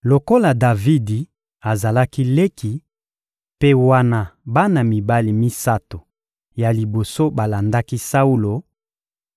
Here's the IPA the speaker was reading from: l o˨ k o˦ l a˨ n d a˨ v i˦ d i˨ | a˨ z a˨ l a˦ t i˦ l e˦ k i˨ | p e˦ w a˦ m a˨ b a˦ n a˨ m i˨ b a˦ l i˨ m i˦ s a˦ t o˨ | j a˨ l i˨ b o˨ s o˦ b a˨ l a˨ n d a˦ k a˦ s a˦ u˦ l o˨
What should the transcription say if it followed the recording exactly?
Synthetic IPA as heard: l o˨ k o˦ l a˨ d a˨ v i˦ d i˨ | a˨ z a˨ l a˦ k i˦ l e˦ k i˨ | p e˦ w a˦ n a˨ b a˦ n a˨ m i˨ b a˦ l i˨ m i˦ s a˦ t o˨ | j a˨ l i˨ b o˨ s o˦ b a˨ l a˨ n d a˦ k i˦ s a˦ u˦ l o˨

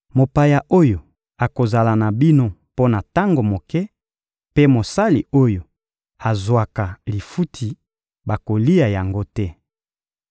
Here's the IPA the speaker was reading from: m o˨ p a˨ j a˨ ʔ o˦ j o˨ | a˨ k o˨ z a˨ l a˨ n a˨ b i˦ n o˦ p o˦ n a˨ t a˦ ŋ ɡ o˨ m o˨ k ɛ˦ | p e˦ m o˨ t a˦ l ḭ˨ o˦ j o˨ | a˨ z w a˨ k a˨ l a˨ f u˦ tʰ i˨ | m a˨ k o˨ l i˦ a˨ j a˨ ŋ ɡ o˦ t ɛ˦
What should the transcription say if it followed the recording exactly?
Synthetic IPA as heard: m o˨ p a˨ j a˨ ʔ o˦ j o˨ | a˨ k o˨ z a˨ l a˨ n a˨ b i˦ n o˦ p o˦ n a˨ t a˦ ŋ ɡ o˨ m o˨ k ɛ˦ | p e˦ m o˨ s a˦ l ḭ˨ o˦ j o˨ | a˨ z w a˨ k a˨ l i˨ f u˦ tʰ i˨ | b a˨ k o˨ l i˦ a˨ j a˨ ŋ ɡ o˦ t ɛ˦

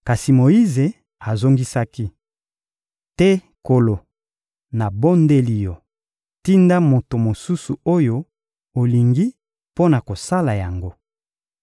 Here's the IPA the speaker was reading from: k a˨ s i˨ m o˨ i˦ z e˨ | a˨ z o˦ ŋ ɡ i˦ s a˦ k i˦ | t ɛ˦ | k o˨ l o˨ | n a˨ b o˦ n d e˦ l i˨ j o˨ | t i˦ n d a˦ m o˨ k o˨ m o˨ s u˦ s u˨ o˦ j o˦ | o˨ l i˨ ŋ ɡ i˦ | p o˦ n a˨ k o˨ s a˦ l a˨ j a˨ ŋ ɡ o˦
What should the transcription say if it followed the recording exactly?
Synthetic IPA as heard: k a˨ s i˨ m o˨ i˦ z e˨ | a˨ z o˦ ŋ ɡ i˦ s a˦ k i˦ | t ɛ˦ | k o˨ l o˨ | n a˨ b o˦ n d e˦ l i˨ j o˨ | t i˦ n d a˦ m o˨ t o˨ m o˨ s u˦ s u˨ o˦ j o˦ | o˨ l i˨ ŋ ɡ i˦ | p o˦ n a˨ k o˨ s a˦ l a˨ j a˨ ŋ ɡ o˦

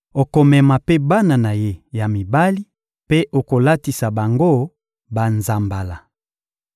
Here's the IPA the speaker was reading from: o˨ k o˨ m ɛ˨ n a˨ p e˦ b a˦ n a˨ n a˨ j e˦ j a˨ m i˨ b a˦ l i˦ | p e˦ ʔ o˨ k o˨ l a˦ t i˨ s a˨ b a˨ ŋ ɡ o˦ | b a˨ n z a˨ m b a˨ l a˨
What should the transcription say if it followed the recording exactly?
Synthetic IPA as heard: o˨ k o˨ m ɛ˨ m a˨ p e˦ b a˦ n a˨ n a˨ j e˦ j a˨ m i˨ b a˦ l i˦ | p e˦ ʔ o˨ k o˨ l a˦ t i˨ s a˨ b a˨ ŋ ɡ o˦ | b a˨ n z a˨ m b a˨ l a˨

